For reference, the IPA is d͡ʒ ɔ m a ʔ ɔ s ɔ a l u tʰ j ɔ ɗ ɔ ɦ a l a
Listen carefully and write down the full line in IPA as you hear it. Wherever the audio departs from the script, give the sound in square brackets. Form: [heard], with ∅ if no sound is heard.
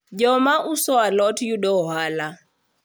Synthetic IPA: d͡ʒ ɔ m a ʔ [u] s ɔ a l [ɔ] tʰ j [u] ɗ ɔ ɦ a l a